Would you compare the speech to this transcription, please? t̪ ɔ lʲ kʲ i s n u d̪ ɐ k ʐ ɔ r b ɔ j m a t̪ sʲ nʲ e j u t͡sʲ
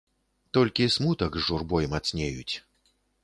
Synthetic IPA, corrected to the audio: t̪ ɔ lʲ kʲ i s m u t̪ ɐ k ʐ u r b ɔ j m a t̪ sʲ nʲ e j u t͡sʲ